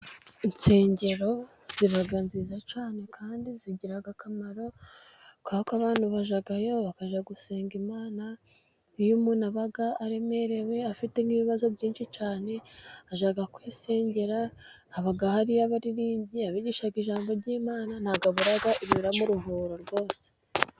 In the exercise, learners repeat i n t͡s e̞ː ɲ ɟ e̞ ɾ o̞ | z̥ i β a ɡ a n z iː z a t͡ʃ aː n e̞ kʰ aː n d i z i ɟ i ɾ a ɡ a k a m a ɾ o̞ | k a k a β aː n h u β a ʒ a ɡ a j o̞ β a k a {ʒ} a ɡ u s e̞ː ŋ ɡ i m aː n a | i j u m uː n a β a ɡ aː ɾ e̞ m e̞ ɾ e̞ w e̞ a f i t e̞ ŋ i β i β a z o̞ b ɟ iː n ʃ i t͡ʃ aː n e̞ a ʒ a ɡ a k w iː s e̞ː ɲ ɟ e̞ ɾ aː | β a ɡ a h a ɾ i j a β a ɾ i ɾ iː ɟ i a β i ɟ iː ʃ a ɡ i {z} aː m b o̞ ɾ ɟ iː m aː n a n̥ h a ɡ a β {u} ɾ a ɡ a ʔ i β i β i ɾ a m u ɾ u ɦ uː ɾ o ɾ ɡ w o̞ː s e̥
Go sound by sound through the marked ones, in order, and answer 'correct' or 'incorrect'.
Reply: correct, incorrect: ʒ, correct

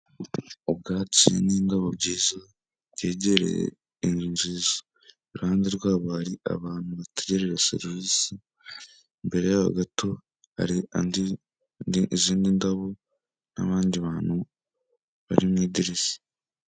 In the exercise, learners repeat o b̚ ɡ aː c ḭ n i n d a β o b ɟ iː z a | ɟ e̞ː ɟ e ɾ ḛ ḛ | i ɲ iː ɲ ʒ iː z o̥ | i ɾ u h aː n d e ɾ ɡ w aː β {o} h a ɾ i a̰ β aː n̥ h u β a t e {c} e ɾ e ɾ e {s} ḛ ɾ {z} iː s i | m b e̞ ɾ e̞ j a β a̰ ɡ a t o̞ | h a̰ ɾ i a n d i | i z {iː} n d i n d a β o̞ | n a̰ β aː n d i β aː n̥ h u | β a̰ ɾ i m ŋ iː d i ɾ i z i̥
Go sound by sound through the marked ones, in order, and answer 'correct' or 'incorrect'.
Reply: correct, incorrect: ɟ, correct, incorrect: v, correct

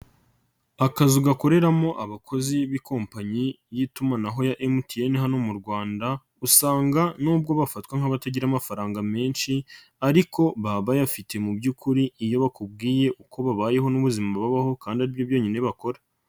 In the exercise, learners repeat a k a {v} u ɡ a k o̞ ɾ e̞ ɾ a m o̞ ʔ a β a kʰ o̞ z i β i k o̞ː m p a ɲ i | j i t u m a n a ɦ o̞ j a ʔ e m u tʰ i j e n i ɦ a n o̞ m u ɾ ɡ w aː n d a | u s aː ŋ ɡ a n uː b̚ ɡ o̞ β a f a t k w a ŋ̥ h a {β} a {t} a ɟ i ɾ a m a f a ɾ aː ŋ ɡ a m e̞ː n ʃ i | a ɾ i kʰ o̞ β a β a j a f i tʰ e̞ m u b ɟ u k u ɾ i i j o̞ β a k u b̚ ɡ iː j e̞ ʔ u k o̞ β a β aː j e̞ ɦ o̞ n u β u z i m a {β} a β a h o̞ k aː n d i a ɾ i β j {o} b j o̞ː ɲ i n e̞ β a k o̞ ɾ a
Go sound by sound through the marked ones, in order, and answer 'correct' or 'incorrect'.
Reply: incorrect: z, correct, correct, correct, correct

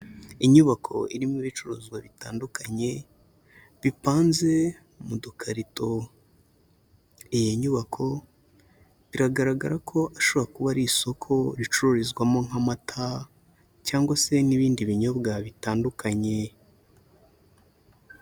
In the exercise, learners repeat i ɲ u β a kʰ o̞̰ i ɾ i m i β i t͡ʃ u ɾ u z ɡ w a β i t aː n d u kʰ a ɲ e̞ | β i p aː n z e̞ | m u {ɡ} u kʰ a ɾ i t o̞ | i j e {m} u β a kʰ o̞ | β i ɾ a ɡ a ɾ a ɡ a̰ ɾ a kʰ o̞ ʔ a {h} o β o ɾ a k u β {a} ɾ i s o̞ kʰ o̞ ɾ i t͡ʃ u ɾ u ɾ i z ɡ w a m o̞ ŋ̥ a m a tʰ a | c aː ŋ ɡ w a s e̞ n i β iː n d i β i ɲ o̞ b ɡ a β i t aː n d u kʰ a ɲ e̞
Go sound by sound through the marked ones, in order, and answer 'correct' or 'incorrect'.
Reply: incorrect: d, incorrect: ɲ, incorrect: ʃ, correct

